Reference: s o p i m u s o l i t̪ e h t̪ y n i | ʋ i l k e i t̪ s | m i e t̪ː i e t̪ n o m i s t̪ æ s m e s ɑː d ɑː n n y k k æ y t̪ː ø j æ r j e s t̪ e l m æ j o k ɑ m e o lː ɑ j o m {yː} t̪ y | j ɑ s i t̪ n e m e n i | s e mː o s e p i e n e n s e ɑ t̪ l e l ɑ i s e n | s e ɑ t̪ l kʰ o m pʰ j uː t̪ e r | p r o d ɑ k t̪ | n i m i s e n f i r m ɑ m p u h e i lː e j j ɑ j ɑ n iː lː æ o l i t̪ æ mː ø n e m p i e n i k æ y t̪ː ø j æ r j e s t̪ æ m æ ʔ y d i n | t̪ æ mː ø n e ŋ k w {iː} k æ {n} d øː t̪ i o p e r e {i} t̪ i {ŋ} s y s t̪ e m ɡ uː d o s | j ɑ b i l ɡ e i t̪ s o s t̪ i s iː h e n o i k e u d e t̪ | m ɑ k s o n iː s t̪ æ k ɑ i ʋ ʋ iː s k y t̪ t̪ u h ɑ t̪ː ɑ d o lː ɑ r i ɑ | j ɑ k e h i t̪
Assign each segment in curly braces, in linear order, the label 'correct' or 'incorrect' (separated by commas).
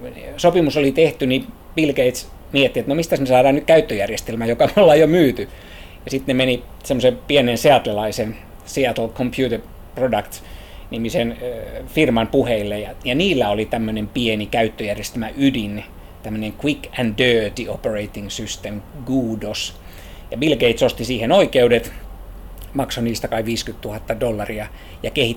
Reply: correct, incorrect, correct, correct, correct